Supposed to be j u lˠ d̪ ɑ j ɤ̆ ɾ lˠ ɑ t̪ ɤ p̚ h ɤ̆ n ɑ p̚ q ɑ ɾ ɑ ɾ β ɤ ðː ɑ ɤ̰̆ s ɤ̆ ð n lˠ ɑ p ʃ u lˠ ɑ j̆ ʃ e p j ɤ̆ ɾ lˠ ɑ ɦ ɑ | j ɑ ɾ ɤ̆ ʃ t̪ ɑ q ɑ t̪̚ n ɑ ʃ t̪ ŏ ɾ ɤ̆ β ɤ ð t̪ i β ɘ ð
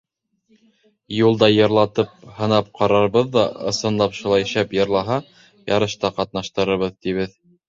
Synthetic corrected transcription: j u lˠ d̪ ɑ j ɤ̆ ɾ lˠ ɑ t̪ ɤ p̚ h ɤ̆ n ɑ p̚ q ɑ ɾ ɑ ɾ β ɤ ðː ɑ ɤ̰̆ s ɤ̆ n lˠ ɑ p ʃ u lˠ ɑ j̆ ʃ æ p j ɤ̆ ɾ lˠ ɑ ɦ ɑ | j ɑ ɾ ɤ̆ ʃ t̪ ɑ q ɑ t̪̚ n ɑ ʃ t̪ ɤ̆ ɾ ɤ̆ β ɤ ð t̪ i β ɘ ð

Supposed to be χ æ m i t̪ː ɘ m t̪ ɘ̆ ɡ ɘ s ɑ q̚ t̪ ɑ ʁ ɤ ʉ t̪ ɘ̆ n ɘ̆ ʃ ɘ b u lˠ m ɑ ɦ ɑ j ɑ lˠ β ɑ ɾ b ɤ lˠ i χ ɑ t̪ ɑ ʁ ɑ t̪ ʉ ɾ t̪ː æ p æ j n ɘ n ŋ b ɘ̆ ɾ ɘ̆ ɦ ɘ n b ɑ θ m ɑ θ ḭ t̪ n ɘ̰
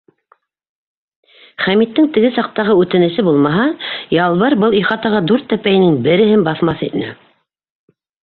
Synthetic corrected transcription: χ æ m i t̪ː ɘ ŋ t̪ ɘ̆ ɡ ɘ s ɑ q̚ t̪ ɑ ʁ ɤ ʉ t̪ ɘ̆ n ɘ̆ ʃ ɘ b u lˠ m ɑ ɦ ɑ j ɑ lˠ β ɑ ɾ b ɤ lˠ i χ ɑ t̪ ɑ ʁ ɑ d̪ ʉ ɾ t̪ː æ p æ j n ɘ ŋ b ɘ̆ ɾ ɘ̆ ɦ ɘ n b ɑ θ m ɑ θ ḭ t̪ n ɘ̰

